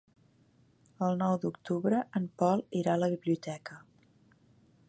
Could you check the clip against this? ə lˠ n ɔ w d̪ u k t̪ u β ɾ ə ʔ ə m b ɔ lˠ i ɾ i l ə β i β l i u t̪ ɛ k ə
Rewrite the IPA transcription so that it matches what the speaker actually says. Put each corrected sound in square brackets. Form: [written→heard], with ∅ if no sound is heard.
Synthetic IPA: ə lˠ n ɔ w d̪ u k t̪ u β ɾ ə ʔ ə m [b→p] ɔ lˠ i ɾ [i→a] l ə β i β l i u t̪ ɛ k ə